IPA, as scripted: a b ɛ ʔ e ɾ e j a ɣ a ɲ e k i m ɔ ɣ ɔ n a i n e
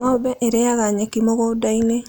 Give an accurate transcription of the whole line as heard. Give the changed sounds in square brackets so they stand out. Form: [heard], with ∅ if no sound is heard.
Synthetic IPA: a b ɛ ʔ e ɾ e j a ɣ a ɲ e k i m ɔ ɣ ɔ [d] a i n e